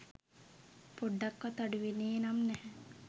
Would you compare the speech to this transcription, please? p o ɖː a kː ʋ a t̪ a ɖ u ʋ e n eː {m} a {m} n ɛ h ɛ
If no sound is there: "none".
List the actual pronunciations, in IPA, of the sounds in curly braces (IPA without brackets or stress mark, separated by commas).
n, m